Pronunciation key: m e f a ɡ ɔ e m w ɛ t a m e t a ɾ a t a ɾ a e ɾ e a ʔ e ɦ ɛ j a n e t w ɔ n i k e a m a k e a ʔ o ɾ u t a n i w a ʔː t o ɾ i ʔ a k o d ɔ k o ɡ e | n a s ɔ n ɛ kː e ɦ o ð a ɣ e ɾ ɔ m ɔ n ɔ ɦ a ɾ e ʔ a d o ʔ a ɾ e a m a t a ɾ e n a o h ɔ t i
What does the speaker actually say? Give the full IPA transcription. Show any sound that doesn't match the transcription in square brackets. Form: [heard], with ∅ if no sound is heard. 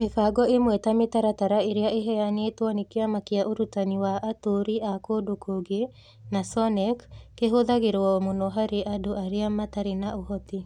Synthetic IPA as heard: m e f a ɡ ɔ e m w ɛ t a m e t a ɾ a t a ɾ a e ɾ e a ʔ e ɦ ɛ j a n e t w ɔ n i k e a m a k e a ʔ o ɾ u t a n i w a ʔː t o ɾ i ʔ a k o d [o] k o ɡ e | n a s ɔ n ɛ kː e ɦ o ð a ɣ e ɾ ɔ m [o] n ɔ ɦ a ɾ e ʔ a d o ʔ a ɾ e a m a t a ɾ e n a o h ɔ t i